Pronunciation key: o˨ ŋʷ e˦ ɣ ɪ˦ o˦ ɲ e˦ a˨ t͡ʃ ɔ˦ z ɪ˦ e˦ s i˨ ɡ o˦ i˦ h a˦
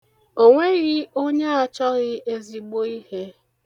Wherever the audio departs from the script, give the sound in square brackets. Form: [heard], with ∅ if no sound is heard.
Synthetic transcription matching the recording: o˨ ŋʷ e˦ ɣ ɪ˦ o˦ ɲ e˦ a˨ t͡ʃ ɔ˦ [ɣ] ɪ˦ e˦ [z] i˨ [ɡ͡b] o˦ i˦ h [e˦]